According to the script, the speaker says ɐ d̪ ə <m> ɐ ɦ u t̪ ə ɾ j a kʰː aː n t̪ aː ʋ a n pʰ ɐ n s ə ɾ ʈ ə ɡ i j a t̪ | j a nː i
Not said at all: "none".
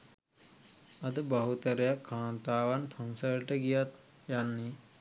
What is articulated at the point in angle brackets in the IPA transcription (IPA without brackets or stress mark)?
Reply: b